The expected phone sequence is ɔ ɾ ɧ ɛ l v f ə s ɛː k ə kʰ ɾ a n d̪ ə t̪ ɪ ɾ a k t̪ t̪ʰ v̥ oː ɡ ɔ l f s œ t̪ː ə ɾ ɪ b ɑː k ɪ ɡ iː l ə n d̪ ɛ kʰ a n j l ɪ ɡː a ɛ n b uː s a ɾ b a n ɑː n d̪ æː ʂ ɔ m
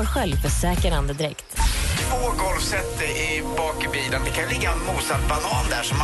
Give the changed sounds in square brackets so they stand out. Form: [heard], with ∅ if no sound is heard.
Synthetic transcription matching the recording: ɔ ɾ ɧ ɛ l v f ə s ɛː k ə [∅] ɾ a n d̪ ə [d̪] ɪ ɾ [ɛ] k t̪ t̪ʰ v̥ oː ɡ ɔ l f s [ɛ] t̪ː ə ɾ ɪ b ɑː k ɪ [b] iː l ə n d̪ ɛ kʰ a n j l ɪ ɡː a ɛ n [m] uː s a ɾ b a n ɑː n d̪ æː ʂ ɔ m